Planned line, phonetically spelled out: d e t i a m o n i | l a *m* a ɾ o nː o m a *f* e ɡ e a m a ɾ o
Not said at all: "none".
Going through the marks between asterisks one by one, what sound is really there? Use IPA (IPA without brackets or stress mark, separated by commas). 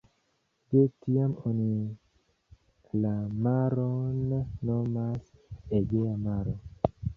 m, s